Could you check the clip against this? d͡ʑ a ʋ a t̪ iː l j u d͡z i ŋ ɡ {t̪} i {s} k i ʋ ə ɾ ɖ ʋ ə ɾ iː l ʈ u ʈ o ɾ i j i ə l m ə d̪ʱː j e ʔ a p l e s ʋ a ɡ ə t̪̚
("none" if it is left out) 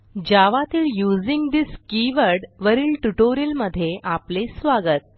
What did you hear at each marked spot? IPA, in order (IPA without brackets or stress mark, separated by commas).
d̪, s